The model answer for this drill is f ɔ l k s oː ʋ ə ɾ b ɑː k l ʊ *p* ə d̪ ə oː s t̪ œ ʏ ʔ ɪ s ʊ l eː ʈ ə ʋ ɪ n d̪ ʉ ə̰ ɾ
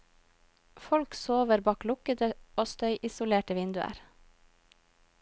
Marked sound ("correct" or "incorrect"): incorrect